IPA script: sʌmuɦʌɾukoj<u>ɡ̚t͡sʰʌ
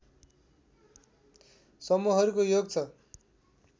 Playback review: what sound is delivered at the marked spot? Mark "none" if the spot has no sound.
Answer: o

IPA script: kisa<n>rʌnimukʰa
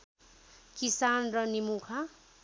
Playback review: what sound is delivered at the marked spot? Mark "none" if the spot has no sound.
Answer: n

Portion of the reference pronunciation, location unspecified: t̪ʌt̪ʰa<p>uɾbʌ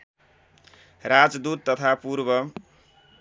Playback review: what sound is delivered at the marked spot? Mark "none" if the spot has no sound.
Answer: p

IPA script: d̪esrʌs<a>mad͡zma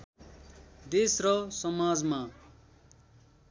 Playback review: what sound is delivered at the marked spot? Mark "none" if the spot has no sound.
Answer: ʌ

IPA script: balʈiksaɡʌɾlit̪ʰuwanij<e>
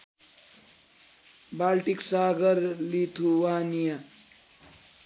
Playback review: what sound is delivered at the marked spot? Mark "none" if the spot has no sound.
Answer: a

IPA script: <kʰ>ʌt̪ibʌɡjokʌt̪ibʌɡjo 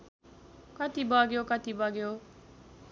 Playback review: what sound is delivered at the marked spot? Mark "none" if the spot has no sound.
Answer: k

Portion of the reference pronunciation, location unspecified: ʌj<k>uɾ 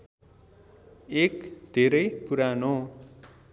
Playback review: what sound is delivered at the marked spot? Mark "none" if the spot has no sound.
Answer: p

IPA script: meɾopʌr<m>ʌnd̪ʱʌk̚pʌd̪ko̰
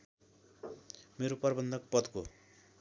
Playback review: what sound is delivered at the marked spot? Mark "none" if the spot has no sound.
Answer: b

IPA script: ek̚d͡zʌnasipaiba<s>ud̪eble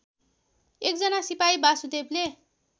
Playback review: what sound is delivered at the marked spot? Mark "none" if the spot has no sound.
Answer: s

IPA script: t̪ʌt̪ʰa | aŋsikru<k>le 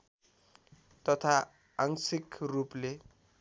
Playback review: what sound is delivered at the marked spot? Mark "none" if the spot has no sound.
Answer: p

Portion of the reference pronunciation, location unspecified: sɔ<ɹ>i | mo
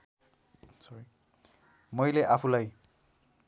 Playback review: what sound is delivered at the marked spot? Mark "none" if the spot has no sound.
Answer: ɹ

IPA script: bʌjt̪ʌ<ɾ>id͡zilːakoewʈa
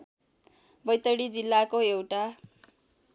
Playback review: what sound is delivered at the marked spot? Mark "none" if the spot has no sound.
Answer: ɽ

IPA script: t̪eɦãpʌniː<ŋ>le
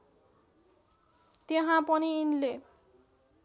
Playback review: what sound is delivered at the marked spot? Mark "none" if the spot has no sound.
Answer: n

